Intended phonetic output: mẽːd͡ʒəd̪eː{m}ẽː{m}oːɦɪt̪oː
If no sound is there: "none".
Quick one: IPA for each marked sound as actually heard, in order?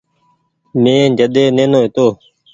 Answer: n, n

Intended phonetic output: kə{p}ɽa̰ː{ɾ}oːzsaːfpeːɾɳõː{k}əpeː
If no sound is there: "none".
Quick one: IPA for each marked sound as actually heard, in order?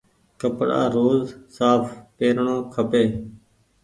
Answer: p, ɾ, kʰ

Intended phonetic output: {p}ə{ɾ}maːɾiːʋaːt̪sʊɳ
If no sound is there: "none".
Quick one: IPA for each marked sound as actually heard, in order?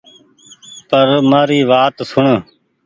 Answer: p, ɾ

